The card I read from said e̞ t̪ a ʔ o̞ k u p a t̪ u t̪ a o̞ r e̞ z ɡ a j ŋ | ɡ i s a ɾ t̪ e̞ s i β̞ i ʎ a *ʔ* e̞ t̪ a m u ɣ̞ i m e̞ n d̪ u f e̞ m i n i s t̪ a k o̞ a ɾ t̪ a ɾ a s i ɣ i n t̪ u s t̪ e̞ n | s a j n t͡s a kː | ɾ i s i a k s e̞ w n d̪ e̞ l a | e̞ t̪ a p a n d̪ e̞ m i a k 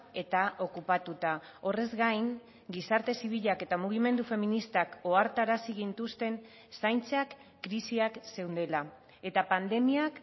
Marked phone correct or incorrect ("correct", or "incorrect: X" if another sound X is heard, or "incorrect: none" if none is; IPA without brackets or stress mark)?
incorrect: k